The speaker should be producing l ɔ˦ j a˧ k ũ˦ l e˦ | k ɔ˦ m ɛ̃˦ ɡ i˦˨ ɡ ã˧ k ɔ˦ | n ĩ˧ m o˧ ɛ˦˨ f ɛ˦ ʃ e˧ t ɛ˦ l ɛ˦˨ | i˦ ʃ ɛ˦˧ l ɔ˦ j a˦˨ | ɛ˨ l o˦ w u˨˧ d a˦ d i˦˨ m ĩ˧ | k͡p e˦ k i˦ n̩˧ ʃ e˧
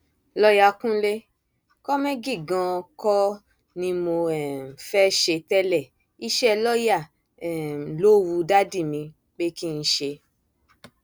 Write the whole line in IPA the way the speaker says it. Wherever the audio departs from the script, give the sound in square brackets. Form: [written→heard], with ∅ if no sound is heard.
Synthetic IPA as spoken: l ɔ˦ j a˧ k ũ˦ l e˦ | k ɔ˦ m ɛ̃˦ ɡ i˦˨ ɡ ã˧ k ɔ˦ | n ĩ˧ m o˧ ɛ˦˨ f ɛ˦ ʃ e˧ t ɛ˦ l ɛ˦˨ | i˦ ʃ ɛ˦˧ l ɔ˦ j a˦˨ | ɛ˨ l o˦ w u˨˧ d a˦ d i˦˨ m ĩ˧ | k͡p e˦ k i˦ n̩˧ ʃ e˧